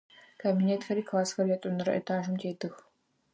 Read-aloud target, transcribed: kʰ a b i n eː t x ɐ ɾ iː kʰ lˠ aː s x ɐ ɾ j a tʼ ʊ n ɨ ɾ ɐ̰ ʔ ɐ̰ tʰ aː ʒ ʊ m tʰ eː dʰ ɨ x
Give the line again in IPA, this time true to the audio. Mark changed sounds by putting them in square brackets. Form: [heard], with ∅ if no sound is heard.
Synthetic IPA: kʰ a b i n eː t x ɐ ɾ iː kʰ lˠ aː s x ɐ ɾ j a tʼ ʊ n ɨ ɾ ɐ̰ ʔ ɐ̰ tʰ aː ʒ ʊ m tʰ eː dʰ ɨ x